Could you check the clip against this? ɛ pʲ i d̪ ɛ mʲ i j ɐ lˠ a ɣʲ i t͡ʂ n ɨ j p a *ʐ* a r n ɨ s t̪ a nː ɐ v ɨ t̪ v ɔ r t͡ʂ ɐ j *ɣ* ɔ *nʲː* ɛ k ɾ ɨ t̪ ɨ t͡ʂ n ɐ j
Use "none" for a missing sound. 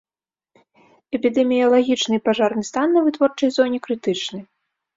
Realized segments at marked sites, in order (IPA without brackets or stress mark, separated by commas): ʐ, z, nʲ